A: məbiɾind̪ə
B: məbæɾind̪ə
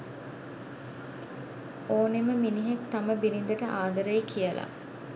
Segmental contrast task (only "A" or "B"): A